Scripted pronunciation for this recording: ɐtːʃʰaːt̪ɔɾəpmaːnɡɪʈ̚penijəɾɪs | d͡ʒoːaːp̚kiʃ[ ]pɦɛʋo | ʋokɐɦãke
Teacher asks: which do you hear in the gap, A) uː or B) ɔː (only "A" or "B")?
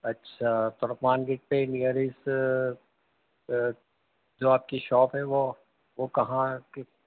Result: B